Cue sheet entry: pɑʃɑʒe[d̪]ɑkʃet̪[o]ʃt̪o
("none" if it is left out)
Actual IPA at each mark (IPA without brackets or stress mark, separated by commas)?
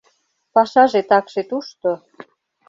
t̪, u